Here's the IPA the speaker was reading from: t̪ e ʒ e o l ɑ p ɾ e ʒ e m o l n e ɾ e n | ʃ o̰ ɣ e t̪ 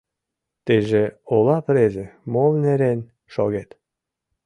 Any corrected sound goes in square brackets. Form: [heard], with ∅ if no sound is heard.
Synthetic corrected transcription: t̪ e ʒ e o l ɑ p ɾ e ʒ e m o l n e ɾ e n | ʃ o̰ ɣ e t̪